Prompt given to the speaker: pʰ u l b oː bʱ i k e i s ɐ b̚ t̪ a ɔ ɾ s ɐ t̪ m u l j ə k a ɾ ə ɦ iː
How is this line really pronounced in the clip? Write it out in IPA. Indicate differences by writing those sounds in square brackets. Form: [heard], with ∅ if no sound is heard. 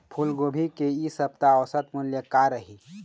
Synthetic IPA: pʰ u l [ɡ] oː bʱ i k e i s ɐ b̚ t̪ a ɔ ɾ s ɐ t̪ m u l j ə k a ɾ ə ɦ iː